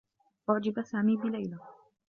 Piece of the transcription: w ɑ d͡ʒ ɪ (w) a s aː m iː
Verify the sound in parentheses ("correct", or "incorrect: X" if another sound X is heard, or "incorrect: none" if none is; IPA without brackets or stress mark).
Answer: incorrect: b